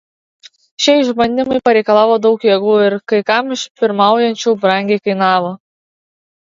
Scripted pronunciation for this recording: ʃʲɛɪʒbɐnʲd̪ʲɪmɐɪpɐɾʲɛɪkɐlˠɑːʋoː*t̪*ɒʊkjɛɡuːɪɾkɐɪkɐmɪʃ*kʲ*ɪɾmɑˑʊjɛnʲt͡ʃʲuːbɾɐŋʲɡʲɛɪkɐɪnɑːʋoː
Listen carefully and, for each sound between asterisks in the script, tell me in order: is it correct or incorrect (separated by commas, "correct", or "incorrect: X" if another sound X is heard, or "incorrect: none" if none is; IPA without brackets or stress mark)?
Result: incorrect: d̪, incorrect: pʲ